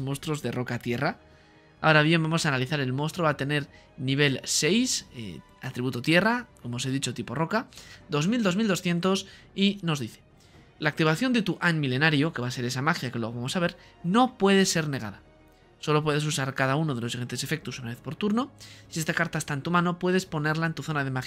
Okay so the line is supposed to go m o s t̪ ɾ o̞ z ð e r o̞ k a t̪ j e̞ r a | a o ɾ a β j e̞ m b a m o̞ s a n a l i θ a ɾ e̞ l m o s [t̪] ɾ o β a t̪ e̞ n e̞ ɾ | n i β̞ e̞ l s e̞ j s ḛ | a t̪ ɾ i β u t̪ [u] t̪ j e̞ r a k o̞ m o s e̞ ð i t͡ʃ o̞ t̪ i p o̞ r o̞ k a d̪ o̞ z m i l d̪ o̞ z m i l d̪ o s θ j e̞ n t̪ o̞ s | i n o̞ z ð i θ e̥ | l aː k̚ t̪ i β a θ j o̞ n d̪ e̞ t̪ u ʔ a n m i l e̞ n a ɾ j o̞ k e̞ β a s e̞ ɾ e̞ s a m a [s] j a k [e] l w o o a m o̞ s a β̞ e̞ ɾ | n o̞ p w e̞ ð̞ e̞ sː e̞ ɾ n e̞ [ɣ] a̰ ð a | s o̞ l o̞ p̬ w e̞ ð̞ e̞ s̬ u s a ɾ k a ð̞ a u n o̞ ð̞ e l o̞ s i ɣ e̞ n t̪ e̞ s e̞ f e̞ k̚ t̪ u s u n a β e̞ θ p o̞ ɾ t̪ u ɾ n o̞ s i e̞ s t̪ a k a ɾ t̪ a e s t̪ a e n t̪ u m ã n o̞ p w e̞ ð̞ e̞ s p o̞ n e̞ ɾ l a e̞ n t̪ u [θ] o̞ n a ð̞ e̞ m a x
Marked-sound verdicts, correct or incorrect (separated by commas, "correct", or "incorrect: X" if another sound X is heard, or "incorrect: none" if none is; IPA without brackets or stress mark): correct, incorrect: o, incorrect: x, correct, correct, correct